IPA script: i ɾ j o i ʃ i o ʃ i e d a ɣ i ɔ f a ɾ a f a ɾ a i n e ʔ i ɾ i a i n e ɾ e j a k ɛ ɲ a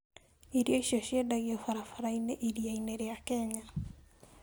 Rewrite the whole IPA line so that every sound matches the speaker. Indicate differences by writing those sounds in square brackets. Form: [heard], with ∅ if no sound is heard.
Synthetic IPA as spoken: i ɾ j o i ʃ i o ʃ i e d a ɣ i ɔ f a ɾ a f a ɾ a i n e ʔ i ɾ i a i n e ɾ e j a k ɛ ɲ a